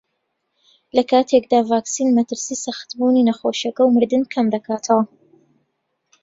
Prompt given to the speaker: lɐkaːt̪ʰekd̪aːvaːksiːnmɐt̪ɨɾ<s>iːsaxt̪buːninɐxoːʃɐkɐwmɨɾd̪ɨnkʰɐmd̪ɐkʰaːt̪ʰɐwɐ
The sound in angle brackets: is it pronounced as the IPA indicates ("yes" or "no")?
yes